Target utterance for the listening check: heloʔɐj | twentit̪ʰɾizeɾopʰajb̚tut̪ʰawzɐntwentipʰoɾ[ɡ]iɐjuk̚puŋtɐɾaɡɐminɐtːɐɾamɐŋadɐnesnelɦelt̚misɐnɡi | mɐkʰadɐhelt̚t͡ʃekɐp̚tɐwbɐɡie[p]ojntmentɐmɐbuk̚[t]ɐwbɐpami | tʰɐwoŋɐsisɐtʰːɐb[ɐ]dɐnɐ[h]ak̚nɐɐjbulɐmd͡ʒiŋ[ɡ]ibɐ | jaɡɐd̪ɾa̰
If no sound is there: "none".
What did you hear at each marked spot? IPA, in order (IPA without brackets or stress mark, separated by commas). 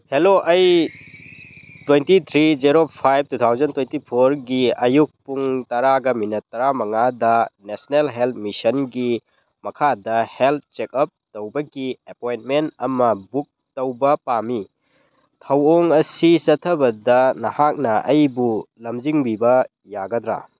ɡ, p, t, ɐ, h, b